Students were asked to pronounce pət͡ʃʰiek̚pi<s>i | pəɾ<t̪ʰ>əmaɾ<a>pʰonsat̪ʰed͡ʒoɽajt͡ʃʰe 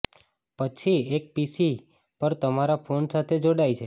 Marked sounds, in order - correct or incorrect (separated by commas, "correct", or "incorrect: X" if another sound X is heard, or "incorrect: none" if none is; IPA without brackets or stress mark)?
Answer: correct, incorrect: t̪, correct